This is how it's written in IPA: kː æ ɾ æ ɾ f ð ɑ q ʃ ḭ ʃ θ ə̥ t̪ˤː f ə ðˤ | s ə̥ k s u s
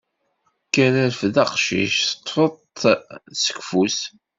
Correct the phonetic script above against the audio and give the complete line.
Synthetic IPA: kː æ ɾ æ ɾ f ð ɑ q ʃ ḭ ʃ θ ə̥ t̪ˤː f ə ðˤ | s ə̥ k f u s

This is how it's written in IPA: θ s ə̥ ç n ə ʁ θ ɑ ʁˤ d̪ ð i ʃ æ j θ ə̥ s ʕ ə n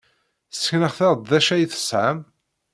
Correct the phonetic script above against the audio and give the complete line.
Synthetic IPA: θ s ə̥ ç n ə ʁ θ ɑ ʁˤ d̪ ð æ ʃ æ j θ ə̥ s ʕ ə m

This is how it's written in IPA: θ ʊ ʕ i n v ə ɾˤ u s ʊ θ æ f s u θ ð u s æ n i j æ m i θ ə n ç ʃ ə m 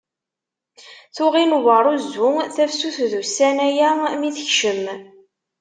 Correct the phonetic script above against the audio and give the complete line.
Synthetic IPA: θ ʊ ʁ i n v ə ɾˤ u z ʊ θ æ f s u θ ð u s æ n æ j æ m i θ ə ç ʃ ə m

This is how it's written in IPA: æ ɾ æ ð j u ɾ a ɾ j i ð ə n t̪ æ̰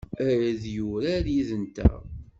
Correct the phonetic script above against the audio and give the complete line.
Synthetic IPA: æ ɾ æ ð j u ɾ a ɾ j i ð ə n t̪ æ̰

